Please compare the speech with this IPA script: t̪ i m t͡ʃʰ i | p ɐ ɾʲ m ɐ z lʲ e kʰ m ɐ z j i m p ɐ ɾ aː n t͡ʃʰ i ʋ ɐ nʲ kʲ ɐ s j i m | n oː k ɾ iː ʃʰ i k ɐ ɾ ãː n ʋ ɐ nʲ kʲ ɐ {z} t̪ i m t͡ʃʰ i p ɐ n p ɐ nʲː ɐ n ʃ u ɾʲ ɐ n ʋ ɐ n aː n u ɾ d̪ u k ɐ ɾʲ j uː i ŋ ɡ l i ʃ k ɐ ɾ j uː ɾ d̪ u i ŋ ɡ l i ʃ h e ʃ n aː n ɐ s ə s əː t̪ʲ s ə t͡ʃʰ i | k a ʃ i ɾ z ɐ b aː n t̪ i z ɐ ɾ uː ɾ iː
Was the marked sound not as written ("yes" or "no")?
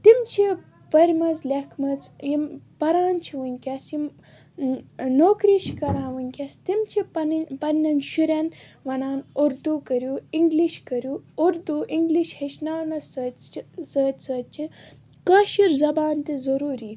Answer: yes